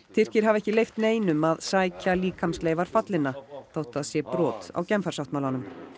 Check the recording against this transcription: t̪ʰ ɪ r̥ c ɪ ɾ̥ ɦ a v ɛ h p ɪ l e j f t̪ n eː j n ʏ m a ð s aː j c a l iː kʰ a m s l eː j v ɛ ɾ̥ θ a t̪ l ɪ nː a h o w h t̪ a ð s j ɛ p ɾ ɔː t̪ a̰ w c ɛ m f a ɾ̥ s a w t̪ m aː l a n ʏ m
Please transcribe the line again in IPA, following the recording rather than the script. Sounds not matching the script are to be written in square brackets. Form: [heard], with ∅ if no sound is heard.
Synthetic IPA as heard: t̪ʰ ɪ r̥ c ɪ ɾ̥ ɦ a v ɛ h [c] ɪ l e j f t̪ n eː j n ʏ m a ð s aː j c a l iː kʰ a m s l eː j v [a] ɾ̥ [f] a t̪ l ɪ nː a [θ] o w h t̪ a ð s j ɛ p ɾ ɔː t̪ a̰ w c ɛ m f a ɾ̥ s a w t̪ m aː l a n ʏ m